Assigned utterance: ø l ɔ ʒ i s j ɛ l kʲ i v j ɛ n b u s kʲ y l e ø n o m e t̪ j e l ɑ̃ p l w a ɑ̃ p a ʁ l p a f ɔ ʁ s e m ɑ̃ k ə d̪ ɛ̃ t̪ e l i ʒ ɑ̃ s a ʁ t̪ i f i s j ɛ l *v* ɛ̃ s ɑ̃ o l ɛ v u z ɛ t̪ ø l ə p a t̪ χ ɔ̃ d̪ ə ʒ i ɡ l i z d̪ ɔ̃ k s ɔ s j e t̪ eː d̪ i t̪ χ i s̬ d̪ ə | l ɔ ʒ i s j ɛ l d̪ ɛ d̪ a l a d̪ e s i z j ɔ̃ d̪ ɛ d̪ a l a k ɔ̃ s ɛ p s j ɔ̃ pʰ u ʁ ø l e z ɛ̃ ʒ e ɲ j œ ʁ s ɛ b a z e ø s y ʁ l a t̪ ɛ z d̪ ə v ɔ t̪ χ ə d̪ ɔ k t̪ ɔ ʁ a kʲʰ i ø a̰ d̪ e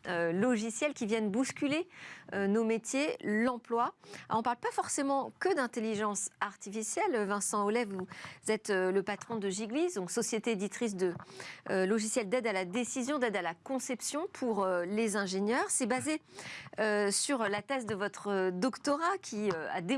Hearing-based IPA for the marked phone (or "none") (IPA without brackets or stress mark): v